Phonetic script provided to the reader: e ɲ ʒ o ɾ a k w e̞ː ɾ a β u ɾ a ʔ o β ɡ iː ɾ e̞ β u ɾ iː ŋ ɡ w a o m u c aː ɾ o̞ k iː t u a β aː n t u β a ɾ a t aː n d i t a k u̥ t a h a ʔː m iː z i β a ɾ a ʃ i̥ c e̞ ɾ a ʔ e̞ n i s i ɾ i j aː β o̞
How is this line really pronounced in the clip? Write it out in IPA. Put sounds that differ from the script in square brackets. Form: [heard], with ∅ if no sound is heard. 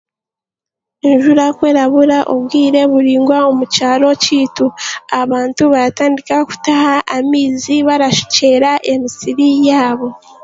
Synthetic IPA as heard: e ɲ ʒ [u] ɾ a k w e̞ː ɾ a β u ɾ a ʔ o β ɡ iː ɾ e̞ β u ɾ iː ŋ ɡ w a o m u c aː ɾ o̞ [c] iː t u a β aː n t u β a ɾ a t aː n d i [k] a k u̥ t a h a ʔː m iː z i β a ɾ a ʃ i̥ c e̞ ɾ a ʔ e̞ [m] i s i ɾ i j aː β o̞